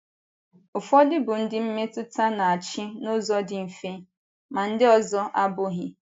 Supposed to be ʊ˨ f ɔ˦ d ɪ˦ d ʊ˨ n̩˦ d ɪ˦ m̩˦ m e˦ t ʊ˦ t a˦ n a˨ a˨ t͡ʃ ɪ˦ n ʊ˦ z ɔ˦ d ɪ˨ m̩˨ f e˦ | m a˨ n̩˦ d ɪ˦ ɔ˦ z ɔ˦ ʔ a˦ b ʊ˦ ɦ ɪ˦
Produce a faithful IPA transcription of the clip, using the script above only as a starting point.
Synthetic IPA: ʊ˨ f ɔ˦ d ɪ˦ b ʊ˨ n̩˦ d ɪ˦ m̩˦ m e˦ t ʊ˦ t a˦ n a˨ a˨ t͡ʃ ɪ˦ n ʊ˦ z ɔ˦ d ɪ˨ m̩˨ f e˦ | m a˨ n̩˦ d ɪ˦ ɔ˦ z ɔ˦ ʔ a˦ b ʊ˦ ɦ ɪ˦